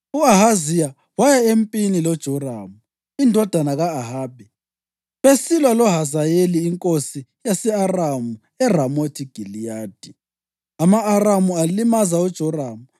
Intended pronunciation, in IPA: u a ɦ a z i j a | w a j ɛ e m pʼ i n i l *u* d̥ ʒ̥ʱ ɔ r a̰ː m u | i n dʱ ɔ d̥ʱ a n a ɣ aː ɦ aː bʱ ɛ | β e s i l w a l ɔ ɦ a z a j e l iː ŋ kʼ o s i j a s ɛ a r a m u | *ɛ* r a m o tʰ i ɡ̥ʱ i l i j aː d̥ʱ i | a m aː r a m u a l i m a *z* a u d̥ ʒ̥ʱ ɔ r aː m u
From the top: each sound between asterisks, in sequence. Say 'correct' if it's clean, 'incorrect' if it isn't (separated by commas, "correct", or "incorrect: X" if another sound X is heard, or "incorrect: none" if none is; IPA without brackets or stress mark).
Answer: incorrect: ɔ, correct, correct